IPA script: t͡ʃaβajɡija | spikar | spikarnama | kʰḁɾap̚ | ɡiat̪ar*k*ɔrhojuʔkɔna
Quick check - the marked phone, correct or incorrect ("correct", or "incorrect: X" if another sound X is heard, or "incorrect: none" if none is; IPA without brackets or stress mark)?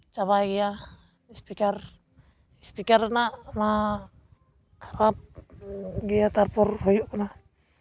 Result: incorrect: p